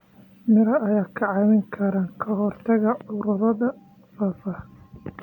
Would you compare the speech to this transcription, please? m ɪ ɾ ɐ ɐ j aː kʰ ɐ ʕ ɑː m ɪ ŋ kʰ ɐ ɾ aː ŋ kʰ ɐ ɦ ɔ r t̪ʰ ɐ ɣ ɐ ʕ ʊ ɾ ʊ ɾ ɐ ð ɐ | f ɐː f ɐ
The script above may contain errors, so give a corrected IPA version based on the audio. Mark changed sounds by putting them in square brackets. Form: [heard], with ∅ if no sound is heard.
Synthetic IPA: m ɪ ɾ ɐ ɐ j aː kʰ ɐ ʕ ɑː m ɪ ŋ kʰ ɐ ɾ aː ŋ kʰ ɐ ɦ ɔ r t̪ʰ ɐ ɣ ɐ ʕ ʊ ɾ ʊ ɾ ɐ ð ɐ | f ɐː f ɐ